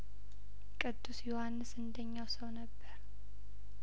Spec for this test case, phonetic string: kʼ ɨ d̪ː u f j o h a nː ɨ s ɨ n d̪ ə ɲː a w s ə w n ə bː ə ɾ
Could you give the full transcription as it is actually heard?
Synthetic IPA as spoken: kʼ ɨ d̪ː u s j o h a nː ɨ s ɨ n d̪ ə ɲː a w s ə w n ə bː ə ɾ